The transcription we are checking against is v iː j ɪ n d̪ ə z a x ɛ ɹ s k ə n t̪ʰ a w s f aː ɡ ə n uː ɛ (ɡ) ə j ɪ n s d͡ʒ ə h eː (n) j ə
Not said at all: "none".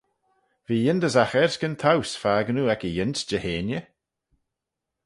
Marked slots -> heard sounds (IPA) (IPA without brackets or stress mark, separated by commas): k, n